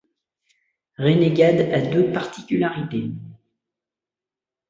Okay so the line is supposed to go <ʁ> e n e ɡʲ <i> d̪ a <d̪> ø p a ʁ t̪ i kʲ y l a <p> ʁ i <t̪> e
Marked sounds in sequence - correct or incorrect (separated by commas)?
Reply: correct, incorrect, correct, incorrect, correct